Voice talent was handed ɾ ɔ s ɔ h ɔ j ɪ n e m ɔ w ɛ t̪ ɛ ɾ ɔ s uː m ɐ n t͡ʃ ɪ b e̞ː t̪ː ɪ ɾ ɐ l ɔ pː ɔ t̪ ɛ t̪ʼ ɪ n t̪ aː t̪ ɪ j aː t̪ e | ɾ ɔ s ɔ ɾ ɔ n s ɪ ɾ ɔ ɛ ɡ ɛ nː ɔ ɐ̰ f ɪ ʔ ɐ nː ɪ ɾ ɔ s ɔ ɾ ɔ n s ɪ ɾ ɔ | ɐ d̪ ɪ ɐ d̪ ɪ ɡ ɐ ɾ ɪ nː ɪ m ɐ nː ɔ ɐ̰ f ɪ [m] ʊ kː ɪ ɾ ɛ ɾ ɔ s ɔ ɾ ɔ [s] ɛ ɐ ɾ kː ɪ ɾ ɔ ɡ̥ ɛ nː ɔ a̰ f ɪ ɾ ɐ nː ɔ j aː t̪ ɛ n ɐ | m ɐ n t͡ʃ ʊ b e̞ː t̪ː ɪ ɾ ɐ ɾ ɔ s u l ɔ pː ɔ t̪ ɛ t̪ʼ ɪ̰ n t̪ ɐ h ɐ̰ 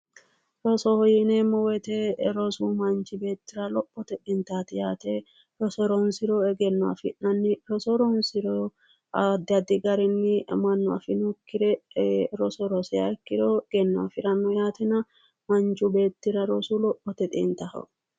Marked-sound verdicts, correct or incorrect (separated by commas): incorrect, correct